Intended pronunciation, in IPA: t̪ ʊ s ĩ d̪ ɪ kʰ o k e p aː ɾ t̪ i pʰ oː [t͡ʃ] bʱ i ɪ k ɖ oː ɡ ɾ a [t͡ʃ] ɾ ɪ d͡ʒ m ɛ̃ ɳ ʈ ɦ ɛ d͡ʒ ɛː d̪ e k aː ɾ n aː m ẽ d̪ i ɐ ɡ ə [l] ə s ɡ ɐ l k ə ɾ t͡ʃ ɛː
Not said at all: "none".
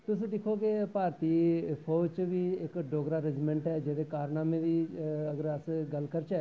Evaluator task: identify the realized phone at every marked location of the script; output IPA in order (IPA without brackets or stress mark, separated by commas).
t͡ʃ, none, ɾ